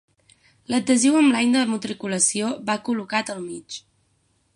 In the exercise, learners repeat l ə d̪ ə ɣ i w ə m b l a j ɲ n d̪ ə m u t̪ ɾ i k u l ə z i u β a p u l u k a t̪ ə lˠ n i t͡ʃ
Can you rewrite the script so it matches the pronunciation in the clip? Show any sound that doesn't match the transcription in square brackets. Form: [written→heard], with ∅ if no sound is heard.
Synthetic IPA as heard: l ə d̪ ə [ɣ→z] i w ə m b l a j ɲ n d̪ ə m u t̪ ɾ i k u l ə [z→s] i [u→o] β a [p→k] u l u k a t̪ ə lˠ [n→m] i t͡ʃ